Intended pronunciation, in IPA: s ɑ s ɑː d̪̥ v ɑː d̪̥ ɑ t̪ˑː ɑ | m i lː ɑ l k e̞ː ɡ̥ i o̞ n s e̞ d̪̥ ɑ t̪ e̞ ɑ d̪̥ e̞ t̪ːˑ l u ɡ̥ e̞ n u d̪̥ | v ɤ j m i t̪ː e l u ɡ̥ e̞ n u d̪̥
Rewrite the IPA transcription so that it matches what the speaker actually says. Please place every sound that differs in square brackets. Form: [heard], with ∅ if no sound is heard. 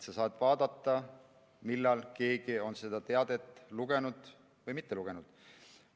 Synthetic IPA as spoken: s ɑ s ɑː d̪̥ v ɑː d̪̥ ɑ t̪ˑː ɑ | m i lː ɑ l k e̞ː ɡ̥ i o̞ n s e̞ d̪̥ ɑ t̪ e̞ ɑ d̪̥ e̞ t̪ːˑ l u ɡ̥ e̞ n u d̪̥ | v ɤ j m i t̪ː e l u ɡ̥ e̞ n u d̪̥